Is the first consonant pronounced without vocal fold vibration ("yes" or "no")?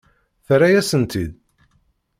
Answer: yes